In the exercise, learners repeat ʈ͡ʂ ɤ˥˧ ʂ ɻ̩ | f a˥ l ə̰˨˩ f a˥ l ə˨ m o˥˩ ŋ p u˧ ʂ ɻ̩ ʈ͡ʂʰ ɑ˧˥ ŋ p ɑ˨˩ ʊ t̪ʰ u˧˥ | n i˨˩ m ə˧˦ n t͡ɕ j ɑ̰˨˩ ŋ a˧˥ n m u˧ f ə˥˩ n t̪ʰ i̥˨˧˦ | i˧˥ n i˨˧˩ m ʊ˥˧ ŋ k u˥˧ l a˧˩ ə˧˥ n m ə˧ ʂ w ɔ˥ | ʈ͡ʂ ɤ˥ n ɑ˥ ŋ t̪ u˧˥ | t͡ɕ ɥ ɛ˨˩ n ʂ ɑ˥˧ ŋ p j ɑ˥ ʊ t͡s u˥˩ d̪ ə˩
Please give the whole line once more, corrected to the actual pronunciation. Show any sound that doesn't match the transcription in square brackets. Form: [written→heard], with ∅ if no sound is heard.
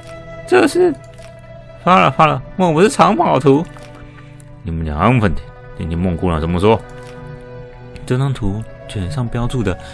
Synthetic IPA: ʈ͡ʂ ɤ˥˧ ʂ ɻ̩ | f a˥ l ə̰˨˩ f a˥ l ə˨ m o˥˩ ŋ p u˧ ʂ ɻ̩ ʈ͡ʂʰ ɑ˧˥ ŋ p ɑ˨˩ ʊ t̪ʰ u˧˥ | n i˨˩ m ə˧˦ n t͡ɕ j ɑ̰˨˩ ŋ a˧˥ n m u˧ f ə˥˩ n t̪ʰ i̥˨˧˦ | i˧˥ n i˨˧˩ m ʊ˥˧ ŋ k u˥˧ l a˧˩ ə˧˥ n m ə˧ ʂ w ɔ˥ | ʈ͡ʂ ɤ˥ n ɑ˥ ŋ [t̪→t̪ʰ] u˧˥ | t͡ɕ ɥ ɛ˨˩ n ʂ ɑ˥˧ ŋ p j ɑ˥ ʊ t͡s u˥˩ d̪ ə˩